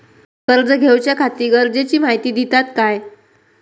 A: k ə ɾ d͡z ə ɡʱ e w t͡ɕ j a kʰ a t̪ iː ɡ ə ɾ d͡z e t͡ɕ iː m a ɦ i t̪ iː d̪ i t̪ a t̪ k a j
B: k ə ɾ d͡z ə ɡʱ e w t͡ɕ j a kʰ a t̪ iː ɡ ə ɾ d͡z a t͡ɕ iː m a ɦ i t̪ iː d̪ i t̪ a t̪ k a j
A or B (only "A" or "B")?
A